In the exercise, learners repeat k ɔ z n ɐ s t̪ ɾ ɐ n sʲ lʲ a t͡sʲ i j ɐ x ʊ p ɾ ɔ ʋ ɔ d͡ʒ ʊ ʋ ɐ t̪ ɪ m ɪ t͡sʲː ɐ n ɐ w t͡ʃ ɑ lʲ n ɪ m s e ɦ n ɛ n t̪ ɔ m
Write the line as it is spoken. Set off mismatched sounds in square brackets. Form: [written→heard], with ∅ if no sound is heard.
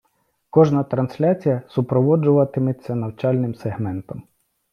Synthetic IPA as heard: k ɔ [z→ʒ] n ɐ [s→∅] t̪ ɾ ɐ n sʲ lʲ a t͡sʲ i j ɐ [x→s] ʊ p ɾ ɔ ʋ ɔ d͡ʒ ʊ ʋ ɐ t̪ ɪ m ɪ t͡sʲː ɐ n ɐ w t͡ʃ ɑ lʲ n ɪ m s e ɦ [n→m] ɛ n t̪ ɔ m